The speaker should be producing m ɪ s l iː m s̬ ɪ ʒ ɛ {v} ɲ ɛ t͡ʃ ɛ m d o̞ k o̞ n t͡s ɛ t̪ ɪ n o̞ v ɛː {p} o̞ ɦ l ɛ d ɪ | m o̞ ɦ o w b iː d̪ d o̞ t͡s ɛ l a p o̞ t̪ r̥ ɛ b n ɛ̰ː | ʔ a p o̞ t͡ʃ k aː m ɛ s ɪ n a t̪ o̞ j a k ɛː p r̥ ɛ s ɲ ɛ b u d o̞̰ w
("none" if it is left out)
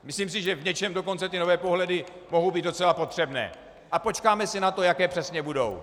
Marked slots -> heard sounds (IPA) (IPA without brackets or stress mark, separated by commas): v, p